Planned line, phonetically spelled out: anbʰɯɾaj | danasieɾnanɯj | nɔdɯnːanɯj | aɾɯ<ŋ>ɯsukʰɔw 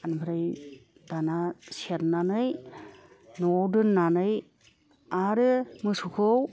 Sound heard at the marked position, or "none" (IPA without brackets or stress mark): m